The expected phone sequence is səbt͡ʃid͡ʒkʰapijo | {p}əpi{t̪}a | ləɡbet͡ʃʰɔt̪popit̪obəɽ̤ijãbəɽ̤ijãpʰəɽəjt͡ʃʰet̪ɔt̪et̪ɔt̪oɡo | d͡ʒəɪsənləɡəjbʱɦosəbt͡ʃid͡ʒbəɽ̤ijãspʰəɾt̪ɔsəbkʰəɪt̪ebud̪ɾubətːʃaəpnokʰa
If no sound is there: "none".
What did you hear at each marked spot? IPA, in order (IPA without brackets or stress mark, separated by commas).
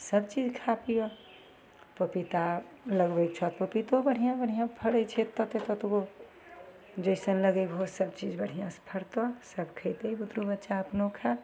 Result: p, t̪